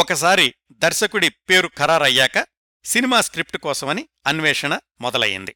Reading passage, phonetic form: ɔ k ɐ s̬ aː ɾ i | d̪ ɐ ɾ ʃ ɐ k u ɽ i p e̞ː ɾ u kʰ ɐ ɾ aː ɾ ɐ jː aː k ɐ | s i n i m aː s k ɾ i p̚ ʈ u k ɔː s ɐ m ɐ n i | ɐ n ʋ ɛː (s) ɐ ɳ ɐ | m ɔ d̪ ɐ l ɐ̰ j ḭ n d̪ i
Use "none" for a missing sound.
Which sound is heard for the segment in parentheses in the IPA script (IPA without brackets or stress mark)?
ʂ